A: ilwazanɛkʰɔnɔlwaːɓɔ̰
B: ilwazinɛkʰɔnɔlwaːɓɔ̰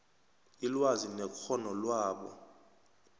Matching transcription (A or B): B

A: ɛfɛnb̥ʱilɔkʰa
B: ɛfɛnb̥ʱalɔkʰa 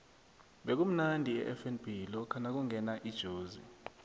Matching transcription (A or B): A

